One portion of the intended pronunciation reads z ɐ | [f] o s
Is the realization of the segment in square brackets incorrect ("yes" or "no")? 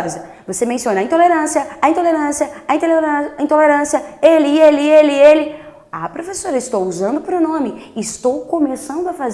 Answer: yes